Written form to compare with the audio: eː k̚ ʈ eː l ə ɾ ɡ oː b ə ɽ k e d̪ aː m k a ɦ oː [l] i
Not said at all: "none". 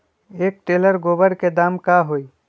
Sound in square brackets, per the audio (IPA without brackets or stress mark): none